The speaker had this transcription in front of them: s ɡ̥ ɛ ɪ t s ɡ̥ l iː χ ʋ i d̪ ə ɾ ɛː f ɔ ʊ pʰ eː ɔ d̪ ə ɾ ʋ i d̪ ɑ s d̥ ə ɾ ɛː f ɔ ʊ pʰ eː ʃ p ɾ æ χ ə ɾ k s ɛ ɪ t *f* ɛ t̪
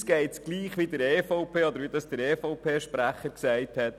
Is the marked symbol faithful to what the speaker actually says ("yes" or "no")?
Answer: no